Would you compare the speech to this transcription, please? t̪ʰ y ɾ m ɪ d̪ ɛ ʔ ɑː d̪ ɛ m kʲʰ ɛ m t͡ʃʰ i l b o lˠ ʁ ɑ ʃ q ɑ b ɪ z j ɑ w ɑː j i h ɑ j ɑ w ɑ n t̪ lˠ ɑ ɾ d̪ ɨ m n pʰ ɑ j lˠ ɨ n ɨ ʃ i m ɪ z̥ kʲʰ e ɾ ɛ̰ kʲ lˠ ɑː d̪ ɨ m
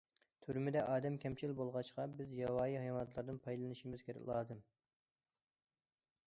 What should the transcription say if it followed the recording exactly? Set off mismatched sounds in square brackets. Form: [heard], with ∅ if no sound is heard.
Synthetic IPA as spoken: t̪ʰ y ɾ m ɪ d̪ ɛ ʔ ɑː d̪ ɛ m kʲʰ ɛ m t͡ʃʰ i l b o lˠ ʁ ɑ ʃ q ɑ b ɪ z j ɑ w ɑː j i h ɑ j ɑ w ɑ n t̪ lˠ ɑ ɾ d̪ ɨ [∅] n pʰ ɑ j lˠ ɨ n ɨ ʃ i m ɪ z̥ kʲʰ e ɾ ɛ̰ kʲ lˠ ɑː d̪ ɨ m